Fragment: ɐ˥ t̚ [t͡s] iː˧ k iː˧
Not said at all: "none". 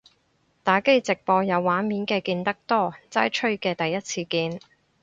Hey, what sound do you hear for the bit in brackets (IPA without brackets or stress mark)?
t͡sʰ